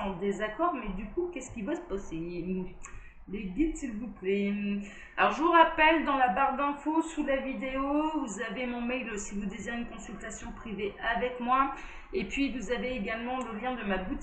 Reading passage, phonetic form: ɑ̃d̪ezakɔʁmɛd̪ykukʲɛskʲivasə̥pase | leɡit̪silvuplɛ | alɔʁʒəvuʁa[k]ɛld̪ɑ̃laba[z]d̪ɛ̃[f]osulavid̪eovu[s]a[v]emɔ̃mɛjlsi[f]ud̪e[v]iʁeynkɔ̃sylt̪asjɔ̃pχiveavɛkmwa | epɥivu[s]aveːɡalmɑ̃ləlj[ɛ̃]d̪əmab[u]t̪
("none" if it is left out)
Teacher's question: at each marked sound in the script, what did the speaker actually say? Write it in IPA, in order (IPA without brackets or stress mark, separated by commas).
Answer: p, ʁ, f, z, v, v, z, z, ɛ̃, u